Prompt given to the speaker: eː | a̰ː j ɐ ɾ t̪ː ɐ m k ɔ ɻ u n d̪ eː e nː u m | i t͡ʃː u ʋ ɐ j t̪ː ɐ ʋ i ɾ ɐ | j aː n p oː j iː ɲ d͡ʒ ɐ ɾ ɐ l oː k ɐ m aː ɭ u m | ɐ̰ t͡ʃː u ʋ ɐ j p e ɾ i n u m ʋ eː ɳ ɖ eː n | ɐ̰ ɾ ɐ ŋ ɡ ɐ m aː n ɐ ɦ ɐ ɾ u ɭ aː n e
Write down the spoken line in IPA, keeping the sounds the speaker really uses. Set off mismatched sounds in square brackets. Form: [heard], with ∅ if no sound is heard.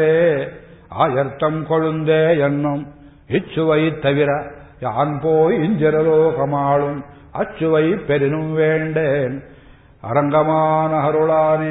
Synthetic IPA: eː | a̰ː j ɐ ɾ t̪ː ɐ m k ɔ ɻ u n d̪ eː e nː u m | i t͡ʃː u ʋ ɐ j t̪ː ɐ ʋ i ɾ ɐ | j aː n p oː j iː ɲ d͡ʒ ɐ ɾ ɐ l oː k ɐ m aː ɭ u m | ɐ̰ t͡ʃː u ʋ ɐ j p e ɾ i n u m ʋ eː ɳ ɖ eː n | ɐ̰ ɾ ɐ ŋ ɡ ɐ m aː n ɐ ɦ ɐ ɾ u ɭ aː n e